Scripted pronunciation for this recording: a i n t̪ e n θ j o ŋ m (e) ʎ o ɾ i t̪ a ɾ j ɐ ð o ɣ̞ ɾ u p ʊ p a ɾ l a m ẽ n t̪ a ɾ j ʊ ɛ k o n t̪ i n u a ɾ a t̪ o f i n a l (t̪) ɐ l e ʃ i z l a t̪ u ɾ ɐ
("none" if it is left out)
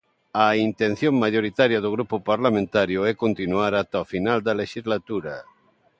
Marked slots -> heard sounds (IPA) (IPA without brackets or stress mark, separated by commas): a, d̪